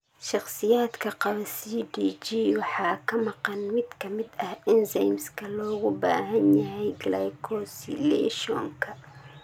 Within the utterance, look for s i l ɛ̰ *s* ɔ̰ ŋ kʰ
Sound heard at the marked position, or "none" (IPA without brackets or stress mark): ʃ